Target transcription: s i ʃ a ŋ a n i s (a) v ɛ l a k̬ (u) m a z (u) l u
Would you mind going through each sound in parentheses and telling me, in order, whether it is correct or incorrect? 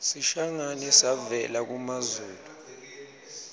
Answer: correct, correct, incorrect

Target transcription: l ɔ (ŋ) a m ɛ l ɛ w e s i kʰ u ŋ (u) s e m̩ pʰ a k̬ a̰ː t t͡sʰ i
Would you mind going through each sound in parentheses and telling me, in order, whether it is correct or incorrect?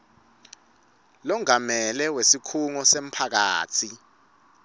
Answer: correct, incorrect

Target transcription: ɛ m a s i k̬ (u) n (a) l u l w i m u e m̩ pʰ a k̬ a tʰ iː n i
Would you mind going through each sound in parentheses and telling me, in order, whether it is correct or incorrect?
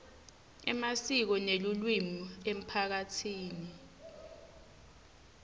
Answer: incorrect, incorrect

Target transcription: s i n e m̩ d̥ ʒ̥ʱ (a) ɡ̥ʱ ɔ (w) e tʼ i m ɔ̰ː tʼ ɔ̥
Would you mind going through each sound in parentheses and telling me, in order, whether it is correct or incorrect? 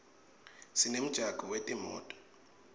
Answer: correct, correct

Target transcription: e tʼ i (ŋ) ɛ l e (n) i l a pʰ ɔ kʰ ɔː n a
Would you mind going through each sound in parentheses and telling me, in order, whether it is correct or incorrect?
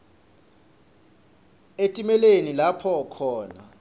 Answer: incorrect, correct

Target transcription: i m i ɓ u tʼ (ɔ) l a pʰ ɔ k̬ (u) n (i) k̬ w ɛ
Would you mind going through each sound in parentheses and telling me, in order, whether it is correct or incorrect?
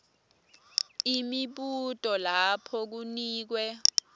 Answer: correct, correct, incorrect

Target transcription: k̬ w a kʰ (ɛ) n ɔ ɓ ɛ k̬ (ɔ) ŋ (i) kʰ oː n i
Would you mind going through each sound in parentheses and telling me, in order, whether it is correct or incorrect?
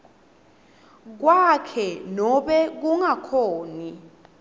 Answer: correct, incorrect, incorrect

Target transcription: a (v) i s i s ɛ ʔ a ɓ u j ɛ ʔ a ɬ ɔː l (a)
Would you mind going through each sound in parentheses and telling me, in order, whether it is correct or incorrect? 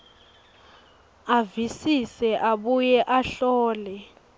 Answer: correct, incorrect

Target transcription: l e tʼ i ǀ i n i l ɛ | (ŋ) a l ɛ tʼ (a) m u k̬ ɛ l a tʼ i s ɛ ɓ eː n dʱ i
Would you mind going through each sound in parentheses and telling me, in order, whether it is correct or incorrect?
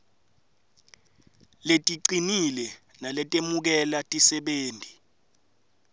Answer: incorrect, incorrect

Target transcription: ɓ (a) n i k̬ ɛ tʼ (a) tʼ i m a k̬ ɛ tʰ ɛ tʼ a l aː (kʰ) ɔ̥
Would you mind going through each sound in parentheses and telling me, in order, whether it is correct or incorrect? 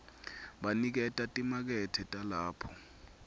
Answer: correct, correct, incorrect

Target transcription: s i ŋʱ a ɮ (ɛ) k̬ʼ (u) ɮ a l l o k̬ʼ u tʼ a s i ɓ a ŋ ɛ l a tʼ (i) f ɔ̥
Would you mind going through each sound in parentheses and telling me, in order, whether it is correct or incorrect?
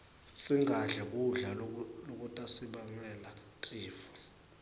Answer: correct, correct, incorrect

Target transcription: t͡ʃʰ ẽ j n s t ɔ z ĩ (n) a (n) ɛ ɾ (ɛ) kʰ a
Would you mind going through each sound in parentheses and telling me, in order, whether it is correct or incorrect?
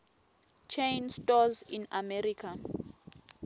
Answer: correct, incorrect, incorrect

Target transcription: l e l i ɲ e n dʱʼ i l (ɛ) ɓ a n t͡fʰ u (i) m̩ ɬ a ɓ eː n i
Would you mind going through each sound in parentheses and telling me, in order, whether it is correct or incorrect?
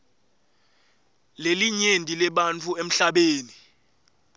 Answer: correct, incorrect

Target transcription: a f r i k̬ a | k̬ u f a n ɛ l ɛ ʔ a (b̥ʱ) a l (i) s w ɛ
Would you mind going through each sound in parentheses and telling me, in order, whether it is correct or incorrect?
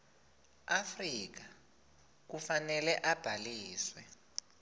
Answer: correct, incorrect

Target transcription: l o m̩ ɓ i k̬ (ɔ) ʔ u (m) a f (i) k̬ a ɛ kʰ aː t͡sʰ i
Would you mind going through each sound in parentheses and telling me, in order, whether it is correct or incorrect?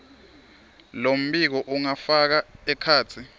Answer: correct, incorrect, incorrect

